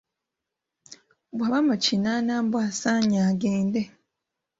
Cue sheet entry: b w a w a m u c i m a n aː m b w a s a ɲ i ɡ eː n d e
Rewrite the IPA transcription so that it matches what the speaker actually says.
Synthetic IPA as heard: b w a β a m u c i n a n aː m b w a s a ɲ a ɡ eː n d e